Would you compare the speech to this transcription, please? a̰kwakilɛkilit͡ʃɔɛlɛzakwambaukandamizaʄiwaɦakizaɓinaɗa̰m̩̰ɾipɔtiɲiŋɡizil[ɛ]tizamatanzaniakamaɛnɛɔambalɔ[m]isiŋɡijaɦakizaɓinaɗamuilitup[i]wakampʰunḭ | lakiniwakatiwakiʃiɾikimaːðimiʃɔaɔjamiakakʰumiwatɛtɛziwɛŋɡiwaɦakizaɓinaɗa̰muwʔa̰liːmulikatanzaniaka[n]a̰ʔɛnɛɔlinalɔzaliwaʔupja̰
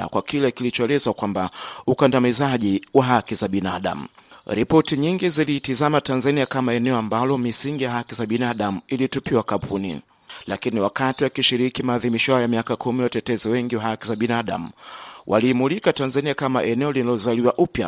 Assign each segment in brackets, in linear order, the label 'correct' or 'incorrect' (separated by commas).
incorrect, correct, correct, incorrect